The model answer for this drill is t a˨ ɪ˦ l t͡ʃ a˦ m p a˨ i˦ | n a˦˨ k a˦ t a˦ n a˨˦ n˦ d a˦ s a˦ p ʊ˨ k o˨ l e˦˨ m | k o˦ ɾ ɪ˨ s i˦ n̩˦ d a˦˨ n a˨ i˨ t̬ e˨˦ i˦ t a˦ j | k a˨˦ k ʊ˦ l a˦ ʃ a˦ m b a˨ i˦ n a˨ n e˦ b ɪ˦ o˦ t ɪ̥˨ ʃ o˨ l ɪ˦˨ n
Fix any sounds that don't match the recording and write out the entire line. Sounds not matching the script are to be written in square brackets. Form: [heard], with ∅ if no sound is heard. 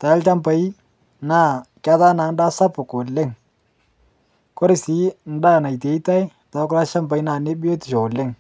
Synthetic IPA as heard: t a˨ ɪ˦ l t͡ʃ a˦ m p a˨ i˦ | n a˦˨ k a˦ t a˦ n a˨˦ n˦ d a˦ s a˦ p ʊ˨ k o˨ l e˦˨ [ŋ] | k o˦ ɾ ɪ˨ s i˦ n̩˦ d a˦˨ n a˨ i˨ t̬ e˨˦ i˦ t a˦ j | [t] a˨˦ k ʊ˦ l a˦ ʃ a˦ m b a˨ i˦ n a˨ n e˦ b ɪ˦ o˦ t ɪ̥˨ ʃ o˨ l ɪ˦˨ [ŋ]